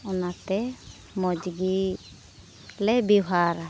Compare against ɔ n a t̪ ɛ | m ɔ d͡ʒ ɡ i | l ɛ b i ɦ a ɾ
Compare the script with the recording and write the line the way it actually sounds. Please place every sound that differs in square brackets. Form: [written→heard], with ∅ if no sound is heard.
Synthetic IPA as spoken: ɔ n a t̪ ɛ | m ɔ d͡ʒ ɡ i | l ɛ b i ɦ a ɾ